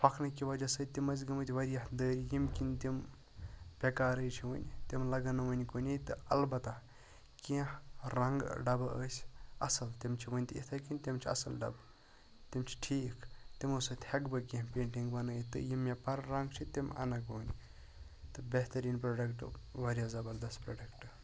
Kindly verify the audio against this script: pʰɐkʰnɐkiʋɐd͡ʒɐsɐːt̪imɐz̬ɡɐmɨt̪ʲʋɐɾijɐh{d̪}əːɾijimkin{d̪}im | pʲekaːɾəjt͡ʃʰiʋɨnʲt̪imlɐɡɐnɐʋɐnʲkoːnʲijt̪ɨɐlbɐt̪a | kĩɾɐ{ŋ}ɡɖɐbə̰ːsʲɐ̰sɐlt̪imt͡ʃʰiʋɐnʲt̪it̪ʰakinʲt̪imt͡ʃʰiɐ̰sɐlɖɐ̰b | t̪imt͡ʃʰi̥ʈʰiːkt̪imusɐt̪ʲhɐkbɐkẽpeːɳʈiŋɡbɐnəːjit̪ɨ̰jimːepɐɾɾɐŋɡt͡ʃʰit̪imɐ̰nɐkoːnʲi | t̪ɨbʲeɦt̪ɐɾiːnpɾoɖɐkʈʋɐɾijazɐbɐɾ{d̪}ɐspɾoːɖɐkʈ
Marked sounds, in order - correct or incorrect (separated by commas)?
correct, incorrect, correct, correct